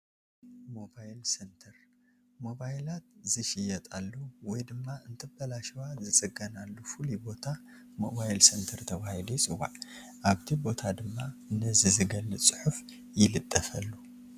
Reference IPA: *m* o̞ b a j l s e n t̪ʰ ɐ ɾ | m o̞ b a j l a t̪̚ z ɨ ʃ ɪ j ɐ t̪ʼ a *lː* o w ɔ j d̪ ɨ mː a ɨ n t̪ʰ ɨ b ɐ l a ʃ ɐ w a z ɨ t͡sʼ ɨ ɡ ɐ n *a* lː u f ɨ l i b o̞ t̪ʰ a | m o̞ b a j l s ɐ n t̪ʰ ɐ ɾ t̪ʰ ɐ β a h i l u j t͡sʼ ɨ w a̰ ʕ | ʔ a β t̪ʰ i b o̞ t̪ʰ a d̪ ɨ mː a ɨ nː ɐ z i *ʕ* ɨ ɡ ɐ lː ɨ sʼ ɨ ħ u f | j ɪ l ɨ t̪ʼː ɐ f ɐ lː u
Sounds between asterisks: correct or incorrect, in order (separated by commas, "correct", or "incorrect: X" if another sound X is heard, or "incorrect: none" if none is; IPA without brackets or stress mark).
correct, correct, correct, incorrect: z